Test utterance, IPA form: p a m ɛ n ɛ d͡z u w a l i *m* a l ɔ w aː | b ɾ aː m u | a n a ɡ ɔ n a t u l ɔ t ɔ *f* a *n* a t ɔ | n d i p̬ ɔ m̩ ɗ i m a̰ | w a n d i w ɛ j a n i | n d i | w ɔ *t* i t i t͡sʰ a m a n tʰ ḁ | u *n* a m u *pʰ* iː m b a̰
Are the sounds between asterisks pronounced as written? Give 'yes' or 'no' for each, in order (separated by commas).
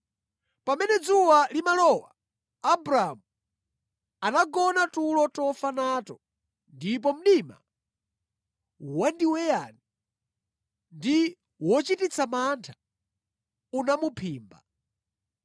yes, yes, yes, no, yes, yes